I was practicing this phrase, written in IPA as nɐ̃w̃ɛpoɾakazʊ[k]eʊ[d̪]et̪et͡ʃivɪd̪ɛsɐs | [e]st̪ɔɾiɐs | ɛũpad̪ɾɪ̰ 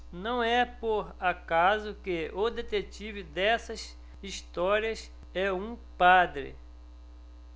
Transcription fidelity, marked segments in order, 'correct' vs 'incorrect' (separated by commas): correct, correct, incorrect